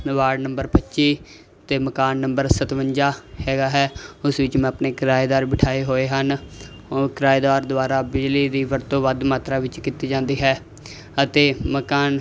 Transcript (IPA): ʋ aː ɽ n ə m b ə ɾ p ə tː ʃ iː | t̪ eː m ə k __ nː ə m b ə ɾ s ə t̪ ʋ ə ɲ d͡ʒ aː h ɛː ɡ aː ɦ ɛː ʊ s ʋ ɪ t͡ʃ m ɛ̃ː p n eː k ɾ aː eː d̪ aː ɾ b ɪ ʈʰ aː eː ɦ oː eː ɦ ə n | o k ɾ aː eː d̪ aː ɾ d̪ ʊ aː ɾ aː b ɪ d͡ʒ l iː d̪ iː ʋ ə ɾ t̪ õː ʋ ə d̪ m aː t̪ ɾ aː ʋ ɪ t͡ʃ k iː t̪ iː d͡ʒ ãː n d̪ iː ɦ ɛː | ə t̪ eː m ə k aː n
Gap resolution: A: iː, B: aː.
B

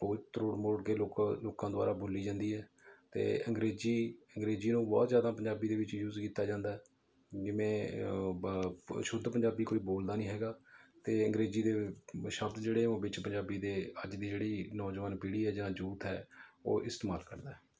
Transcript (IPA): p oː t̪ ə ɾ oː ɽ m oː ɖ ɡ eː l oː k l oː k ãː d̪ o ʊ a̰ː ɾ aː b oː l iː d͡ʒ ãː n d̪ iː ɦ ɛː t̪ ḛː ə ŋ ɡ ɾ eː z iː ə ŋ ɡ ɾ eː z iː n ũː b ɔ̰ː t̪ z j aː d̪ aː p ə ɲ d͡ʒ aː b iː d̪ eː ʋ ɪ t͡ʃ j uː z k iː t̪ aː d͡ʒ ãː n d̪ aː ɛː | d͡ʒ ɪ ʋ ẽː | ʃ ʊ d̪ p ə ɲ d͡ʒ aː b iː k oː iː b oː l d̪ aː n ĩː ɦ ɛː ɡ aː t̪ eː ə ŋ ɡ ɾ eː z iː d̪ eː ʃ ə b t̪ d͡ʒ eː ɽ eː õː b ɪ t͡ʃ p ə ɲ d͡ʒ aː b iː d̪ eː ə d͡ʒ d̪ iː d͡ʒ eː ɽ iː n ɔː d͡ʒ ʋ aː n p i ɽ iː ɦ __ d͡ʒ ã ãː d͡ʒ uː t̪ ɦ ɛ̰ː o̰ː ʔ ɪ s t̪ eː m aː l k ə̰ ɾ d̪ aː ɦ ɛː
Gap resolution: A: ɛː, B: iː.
A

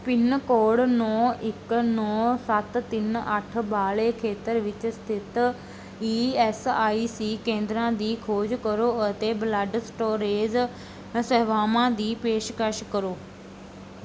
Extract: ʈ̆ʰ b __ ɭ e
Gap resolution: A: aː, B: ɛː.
A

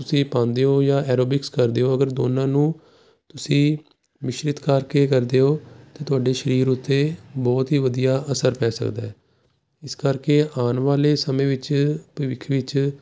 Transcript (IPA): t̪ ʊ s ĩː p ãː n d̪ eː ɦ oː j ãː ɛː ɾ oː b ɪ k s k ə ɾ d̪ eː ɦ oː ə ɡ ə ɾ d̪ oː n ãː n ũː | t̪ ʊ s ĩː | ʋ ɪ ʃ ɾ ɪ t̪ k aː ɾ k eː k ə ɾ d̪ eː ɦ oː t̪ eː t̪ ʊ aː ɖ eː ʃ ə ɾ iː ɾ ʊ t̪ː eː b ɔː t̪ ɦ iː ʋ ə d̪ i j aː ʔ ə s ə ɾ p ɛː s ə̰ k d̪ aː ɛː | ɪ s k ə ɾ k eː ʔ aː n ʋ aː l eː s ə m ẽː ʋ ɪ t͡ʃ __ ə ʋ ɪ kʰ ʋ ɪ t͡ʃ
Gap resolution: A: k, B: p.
B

